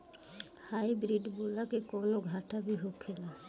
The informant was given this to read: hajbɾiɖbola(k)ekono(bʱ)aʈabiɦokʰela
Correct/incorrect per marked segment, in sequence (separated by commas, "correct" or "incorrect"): correct, incorrect